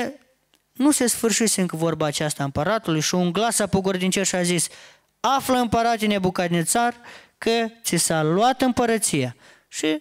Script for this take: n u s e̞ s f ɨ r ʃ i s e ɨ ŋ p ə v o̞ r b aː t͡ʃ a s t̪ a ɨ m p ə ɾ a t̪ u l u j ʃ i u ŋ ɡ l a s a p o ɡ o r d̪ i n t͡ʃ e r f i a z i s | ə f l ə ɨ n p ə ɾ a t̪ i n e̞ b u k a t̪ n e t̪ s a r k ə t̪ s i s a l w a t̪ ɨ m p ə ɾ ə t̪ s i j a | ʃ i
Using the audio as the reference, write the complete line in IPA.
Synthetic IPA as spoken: n u s e̞ s f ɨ r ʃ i s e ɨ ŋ k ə v o̞ r b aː t͡ʃ a s t̪ a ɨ m p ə ɾ a t̪ u l u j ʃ i u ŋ ɡ l a s a p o ɡ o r d̪ i n t͡ʃ e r ʃ i a z i s | a f l ə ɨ m p ə ɾ a t̪ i n e̞ b u k a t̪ n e t̪ s a r k ə t̪ s i s a l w a t̪ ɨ m p ə ɾ ə t̪ s i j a | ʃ i